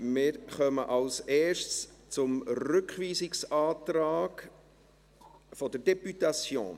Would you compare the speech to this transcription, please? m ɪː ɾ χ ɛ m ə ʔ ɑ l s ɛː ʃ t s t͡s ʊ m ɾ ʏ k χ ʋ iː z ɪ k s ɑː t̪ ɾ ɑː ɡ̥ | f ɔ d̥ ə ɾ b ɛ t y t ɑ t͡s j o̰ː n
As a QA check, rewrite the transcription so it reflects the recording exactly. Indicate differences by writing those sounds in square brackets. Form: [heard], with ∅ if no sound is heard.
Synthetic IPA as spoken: m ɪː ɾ χ [œ] m ə ʔ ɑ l s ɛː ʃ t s t͡s ʊ m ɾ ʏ k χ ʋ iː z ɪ k s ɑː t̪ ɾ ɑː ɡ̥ | f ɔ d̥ ə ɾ [d] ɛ [p] y t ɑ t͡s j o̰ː n